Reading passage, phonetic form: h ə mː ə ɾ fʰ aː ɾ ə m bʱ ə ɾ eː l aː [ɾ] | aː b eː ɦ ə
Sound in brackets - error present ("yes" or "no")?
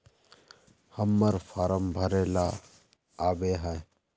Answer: yes